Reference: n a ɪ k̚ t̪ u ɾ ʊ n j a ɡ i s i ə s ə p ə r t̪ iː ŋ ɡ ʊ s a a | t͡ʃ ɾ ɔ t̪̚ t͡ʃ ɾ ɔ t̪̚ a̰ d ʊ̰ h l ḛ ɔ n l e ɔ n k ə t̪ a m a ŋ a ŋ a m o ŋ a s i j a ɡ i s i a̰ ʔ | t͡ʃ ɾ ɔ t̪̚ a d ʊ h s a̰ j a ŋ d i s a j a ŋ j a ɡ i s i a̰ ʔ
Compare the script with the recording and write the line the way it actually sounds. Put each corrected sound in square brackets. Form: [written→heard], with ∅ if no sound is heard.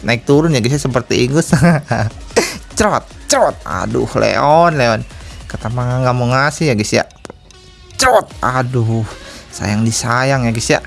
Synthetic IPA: n a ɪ k̚ t̪ u ɾ ʊ n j a ɡ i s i [ə→a] s ə p ə r t̪ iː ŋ ɡ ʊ s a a | t͡ʃ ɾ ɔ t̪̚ t͡ʃ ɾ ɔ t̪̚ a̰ d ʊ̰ h l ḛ ɔ n l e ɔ n k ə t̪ a m a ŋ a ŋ a m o ŋ a s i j a ɡ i s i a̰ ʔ | t͡ʃ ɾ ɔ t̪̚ a d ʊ h s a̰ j a ŋ d i s a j a ŋ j a ɡ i s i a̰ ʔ